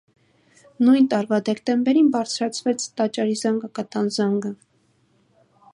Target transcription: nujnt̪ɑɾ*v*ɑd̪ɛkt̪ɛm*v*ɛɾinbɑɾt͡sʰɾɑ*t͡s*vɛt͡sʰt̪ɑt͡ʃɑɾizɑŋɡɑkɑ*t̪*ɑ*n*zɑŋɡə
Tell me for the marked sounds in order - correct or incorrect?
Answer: correct, incorrect: b, incorrect: t͡sʰ, correct, correct

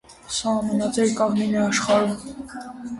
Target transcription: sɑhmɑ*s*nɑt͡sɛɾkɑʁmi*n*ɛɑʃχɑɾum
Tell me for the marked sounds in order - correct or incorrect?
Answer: incorrect: none, correct

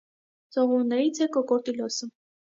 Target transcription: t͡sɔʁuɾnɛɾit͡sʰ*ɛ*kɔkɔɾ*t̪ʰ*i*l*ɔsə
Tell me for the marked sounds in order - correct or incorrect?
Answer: correct, incorrect: t̪, correct

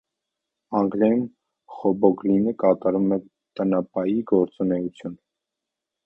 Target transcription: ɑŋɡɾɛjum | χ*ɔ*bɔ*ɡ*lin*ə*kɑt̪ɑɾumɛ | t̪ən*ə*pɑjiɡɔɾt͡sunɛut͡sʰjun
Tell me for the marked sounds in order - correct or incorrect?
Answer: correct, correct, correct, incorrect: ɑ

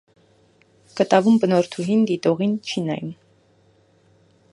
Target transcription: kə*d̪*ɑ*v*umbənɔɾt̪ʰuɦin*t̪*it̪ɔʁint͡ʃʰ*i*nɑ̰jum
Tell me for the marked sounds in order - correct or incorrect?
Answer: incorrect: t̪, correct, incorrect: d̪, correct

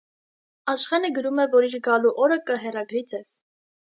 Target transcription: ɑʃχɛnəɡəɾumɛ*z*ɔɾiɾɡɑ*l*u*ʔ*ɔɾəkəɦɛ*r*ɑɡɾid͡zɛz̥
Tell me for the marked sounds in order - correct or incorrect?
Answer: incorrect: v, correct, correct, correct

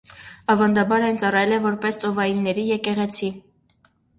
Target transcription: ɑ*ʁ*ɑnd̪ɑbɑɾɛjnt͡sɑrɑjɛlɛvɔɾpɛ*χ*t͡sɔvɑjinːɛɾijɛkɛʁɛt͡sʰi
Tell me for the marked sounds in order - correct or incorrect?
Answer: incorrect: v, incorrect: s

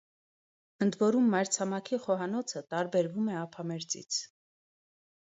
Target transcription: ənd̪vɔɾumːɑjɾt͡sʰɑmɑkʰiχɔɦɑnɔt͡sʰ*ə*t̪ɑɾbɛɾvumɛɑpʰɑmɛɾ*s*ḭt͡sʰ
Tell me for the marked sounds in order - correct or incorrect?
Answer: correct, incorrect: t͡s

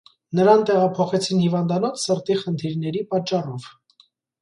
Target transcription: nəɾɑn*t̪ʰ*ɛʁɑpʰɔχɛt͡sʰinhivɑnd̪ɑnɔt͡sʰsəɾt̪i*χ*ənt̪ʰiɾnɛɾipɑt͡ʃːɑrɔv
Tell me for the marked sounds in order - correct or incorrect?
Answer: incorrect: t̪, correct

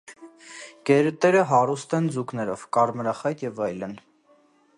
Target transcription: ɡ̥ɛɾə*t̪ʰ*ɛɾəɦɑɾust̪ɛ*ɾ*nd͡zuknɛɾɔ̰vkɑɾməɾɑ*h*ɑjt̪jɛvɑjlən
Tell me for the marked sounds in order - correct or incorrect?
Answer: incorrect: t̪, incorrect: none, incorrect: χ

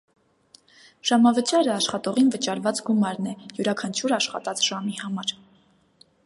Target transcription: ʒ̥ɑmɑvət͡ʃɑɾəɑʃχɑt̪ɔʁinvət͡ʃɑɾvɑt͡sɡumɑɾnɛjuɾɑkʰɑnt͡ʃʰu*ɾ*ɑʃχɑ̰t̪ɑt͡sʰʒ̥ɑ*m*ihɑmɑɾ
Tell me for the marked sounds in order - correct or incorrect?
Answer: correct, correct

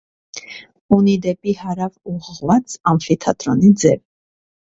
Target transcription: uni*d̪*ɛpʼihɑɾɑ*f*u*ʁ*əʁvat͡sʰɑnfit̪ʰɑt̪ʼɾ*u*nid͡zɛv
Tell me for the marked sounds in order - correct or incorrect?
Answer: correct, incorrect: v, correct, incorrect: ɔ

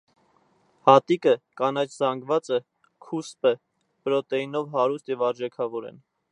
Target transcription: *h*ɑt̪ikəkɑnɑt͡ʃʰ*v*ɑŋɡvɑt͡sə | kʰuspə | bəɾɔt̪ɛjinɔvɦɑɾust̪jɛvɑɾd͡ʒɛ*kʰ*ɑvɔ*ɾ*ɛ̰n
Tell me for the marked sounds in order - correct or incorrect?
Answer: correct, incorrect: z, correct, correct

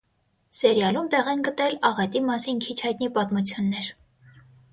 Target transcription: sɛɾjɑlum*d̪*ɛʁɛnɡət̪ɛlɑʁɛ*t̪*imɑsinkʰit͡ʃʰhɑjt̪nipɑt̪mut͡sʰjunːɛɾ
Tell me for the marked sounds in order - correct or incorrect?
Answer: incorrect: t̪, correct

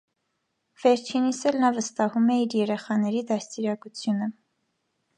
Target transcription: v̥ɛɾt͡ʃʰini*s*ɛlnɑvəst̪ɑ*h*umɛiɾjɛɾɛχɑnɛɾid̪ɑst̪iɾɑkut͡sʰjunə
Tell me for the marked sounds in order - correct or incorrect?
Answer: correct, correct

